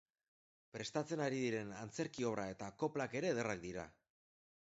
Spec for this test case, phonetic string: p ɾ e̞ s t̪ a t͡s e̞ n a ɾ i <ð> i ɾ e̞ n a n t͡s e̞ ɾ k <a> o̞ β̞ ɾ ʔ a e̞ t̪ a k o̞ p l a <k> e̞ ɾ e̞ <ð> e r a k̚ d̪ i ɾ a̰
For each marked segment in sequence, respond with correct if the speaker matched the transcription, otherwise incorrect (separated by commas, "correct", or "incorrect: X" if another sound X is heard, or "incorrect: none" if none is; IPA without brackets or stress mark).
correct, incorrect: i, correct, correct